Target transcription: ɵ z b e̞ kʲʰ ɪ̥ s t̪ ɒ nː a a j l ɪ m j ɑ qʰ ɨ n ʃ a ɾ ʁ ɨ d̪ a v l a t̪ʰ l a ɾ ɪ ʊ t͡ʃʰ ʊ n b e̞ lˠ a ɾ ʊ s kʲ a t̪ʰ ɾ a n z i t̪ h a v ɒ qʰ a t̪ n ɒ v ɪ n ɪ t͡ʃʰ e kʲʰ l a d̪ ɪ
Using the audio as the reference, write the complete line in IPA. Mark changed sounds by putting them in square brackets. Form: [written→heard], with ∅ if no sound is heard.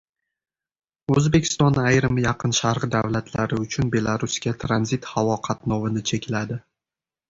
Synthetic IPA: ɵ z b e̞ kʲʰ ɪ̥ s t̪ ɒ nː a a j [l→ɾ] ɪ m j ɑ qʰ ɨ n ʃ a ɾ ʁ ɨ d̪ a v l a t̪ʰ l a ɾ ɪ ʊ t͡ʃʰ ʊ n b e̞ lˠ a ɾ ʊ s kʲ a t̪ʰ ɾ a n z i t̪ h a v ɒ qʰ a t̪ n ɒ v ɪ n ɪ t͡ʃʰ e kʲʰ l a d̪ ɪ